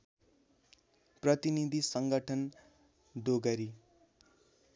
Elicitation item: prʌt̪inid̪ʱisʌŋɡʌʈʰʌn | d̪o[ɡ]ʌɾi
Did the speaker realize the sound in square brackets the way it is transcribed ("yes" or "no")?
yes